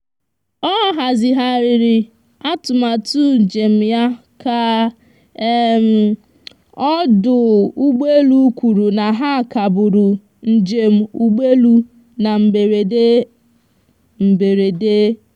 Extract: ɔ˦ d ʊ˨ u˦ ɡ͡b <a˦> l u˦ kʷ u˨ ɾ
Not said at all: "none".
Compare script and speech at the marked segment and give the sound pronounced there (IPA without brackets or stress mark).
e˦